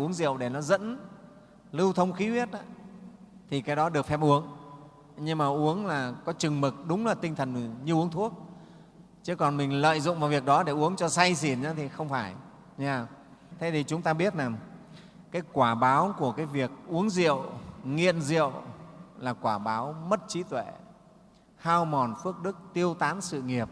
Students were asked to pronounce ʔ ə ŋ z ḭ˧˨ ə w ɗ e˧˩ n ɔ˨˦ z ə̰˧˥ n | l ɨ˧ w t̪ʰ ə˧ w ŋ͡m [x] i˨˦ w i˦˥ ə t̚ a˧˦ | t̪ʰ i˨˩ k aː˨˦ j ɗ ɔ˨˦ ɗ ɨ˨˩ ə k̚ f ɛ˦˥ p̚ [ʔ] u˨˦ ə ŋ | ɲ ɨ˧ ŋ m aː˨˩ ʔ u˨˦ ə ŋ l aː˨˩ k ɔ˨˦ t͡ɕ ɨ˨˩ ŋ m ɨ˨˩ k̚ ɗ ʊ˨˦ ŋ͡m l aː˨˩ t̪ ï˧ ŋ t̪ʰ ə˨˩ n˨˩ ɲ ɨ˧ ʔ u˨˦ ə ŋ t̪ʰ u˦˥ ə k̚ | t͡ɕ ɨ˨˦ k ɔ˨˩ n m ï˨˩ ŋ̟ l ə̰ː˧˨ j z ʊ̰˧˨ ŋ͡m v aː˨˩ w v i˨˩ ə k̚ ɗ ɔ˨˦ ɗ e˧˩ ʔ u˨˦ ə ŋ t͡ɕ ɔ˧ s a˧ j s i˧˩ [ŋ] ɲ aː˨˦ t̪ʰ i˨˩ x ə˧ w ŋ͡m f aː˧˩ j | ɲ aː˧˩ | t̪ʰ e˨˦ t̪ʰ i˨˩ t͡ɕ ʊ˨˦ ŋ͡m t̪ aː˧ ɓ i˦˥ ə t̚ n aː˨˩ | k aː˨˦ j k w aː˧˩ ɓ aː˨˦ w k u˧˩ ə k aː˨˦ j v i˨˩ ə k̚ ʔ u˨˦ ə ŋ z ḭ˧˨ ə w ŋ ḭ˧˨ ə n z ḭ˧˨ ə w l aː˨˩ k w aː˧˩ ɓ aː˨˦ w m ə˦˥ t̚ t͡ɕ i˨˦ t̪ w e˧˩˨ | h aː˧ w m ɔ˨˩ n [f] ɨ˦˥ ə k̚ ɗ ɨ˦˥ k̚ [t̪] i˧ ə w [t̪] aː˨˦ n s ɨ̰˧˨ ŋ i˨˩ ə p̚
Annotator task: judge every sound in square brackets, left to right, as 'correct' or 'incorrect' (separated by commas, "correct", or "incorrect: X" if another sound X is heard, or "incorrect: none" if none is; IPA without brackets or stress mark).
correct, correct, incorrect: n, correct, correct, correct